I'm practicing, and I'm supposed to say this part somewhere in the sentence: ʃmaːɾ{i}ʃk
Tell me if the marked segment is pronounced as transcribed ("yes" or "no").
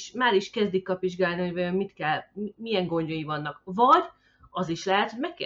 yes